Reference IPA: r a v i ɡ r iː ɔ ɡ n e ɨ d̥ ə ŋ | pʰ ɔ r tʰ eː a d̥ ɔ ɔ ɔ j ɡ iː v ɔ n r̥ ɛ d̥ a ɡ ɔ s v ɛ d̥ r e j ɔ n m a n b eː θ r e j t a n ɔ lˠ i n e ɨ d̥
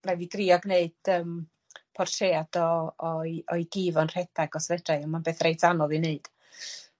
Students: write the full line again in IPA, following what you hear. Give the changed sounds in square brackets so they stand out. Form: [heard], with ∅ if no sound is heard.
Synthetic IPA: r a v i ɡ r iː ɔ ɡ n e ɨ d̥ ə [m] | pʰ ɔ r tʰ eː a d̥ ɔ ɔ ɔ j ɡ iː v ɔ n r̥ ɛ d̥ a ɡ ɔ s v ɛ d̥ r [a] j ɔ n m a n b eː θ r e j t a n ɔ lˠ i n e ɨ d̥

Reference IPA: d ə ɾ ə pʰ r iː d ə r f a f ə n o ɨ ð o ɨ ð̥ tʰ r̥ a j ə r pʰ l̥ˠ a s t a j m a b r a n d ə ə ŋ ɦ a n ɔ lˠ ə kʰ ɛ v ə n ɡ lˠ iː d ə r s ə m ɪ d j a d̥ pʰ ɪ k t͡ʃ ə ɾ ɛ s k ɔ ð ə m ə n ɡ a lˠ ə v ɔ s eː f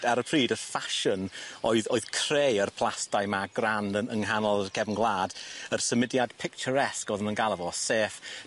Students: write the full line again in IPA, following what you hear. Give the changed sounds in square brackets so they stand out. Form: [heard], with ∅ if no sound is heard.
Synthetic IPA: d [a] ɾ ə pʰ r iː d ə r f a [ʃ] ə n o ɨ ð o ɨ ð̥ [kʰ] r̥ [e] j ə r pʰ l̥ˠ a s t a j m a [ɡ] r a n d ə ə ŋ ɦ a n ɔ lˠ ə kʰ ɛ v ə n ɡ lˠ [aː] d ə r s ə m ɪ d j a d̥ pʰ ɪ k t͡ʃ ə ɾ ɛ s k ɔ ð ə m ə n ɡ a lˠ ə v ɔ s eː f

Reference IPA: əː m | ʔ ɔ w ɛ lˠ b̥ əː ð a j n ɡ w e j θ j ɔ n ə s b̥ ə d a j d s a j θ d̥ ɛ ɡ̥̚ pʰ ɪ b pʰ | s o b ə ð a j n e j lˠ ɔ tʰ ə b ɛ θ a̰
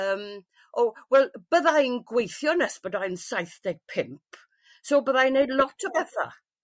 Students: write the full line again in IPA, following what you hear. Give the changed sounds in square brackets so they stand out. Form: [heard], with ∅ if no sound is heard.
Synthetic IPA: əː m | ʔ ɔ w ɛ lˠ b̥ [ə] ð a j n ɡ w e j θ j ɔ n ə s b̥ ə d a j [n] s a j θ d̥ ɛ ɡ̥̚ pʰ ɪ [m] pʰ | s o b ə ð a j n e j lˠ ɔ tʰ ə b ɛ θ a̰

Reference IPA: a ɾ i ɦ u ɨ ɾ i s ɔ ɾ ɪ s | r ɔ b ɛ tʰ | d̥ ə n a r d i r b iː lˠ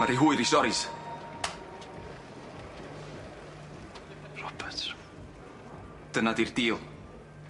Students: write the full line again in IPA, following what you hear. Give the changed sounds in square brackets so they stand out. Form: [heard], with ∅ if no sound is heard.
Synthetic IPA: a ɾ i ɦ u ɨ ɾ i s ɔ ɾ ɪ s | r ɔ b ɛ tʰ | d̥ ə n a [∅] d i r [d] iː lˠ

